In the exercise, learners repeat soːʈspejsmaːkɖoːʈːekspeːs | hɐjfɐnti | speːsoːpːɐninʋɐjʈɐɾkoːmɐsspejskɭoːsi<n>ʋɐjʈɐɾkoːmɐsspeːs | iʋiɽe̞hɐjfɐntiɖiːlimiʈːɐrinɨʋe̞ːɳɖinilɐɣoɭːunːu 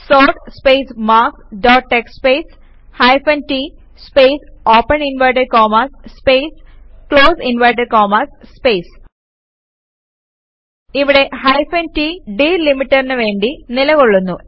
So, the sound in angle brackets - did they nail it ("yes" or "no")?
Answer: yes